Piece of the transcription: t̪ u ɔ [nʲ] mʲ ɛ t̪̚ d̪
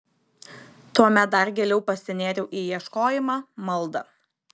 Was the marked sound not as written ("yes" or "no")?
yes